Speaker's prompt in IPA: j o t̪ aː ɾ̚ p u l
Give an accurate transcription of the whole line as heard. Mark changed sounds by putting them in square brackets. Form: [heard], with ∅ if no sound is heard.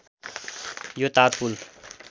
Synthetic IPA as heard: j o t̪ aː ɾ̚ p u l